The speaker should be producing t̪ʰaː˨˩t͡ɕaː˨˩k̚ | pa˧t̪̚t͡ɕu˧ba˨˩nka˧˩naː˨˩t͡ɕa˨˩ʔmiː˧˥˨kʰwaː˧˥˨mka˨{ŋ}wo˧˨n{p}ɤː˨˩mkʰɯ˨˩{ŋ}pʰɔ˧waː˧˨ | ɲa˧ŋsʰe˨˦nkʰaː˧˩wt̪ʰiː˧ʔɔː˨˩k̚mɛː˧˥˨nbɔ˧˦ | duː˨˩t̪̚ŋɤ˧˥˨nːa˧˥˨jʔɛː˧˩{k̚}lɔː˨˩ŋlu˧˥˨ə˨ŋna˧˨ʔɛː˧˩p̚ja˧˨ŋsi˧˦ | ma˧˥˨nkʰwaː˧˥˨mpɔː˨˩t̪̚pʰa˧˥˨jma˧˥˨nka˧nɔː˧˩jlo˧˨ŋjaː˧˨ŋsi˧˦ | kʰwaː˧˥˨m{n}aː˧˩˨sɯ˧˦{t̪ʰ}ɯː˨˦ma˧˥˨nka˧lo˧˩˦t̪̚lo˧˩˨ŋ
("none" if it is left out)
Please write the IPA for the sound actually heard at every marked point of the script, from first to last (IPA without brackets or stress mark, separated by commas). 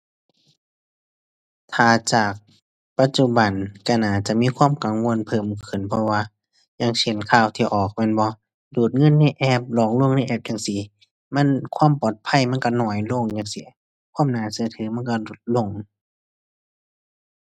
ŋ, pʰ, n, p̚, n, t̪ʰ